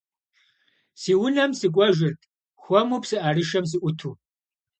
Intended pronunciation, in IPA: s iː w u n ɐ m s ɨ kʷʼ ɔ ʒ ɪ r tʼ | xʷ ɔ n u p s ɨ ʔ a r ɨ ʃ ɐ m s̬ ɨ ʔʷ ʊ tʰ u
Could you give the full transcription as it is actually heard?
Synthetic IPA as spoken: s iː w ʊ n ɐ m s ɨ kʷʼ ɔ ʒ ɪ r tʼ | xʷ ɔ m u p s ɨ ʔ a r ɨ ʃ ɐ m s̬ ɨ ʔʷ ʊ tʰ u

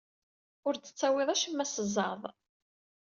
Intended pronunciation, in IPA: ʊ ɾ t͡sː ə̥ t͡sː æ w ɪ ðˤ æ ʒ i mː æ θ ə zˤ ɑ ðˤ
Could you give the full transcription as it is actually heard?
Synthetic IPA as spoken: ʊ ɾ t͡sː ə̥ t͡sː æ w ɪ ðˤ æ ʃ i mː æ s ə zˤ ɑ ðˤ

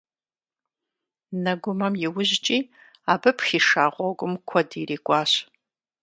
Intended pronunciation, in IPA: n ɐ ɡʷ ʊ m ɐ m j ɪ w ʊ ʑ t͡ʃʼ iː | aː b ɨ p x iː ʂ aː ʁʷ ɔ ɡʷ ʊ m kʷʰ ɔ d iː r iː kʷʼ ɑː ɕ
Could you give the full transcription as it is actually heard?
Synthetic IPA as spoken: n ɐ ɡʷ ʊ m ɐ m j ɪ w ʊ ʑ t͡ʃʼ iː | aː b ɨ p x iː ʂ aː ʁʷ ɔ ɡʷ ʊ m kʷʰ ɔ d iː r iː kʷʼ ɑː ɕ

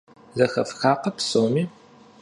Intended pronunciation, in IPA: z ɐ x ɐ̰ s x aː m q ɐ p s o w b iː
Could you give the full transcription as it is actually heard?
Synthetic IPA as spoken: z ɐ x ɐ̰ f x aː q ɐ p s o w m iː

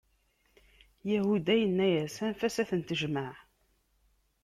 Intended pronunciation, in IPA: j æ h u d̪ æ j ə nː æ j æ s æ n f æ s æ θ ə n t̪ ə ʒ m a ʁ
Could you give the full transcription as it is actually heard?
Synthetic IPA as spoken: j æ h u d̪ æ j ə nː æ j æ s æ n f æ s æ θ ə n t̪ ə ʒ m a ʕ

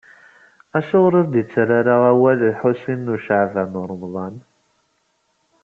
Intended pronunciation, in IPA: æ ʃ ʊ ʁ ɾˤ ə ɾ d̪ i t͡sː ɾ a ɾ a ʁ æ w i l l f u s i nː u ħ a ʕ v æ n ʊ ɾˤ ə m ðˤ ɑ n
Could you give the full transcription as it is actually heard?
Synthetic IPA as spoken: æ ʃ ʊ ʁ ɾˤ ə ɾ d̪ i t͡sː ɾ a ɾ a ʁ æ w æ l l ħ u s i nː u ʃ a ʕ v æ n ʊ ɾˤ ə m ðˤ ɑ n

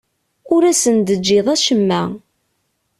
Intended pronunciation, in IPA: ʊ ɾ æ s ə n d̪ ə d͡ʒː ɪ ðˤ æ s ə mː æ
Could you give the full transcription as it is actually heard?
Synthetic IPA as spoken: ʊ ɾ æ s ə n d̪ ə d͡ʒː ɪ ðˤ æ ʃ ə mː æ

